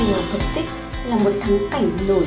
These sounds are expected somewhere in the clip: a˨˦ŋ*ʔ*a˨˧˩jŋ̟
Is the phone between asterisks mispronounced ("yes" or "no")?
yes